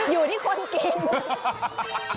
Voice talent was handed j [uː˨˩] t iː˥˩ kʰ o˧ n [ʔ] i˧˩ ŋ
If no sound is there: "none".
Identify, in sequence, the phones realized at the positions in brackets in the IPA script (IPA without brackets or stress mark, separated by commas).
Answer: uː˨˩, k